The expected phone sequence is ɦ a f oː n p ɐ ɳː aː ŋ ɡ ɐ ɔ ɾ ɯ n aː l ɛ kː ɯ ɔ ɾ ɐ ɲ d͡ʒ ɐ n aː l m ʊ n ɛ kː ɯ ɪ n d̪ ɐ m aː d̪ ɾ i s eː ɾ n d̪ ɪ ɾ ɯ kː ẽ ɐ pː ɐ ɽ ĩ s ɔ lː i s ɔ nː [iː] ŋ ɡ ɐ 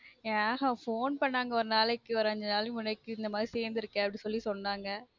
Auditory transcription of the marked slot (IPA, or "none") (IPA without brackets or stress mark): aː